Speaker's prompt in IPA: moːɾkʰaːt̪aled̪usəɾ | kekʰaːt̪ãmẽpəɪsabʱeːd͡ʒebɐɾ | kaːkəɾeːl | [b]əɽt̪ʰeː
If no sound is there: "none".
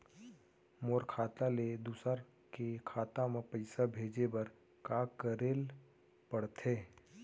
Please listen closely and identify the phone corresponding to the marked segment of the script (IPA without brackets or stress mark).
p